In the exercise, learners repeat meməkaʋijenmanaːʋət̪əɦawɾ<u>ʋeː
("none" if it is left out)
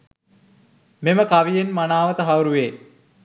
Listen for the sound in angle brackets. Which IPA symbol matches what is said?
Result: u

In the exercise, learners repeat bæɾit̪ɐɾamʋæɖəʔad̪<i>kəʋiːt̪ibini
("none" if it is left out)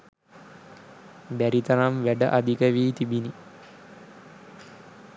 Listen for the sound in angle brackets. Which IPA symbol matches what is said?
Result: i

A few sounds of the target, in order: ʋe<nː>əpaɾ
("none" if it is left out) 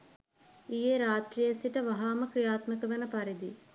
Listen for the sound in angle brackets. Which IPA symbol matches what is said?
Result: n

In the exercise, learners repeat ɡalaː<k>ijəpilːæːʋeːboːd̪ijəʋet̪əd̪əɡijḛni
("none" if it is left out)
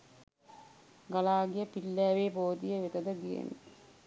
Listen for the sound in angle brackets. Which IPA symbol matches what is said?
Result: ɡ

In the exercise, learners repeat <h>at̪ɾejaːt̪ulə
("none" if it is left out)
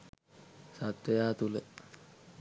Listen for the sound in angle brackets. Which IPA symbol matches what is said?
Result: s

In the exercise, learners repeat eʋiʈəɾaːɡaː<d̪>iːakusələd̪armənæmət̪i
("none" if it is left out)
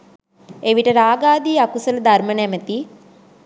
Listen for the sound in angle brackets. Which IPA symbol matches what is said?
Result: d̪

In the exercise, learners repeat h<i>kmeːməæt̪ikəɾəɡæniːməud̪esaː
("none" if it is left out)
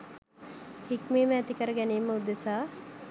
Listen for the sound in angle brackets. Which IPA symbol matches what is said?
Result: i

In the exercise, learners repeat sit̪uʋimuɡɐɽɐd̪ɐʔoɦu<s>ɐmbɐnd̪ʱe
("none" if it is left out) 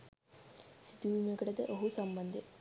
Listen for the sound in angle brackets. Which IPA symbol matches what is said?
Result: s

